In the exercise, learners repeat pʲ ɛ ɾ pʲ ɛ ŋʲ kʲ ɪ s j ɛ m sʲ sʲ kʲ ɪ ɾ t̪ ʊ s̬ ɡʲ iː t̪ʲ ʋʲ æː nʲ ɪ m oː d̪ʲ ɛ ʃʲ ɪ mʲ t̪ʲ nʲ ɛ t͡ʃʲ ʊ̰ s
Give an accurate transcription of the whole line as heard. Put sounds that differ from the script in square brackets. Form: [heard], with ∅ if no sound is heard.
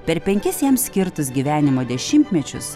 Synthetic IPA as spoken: pʲ ɛ ɾ pʲ ɛ ŋʲ kʲ ɪ s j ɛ m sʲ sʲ kʲ ɪ ɾ t̪ ʊ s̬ ɡʲ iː [∅] ʋʲ æː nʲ ɪ m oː d̪ʲ ɛ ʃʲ ɪ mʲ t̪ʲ [mʲ] ɛ t͡ʃʲ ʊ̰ s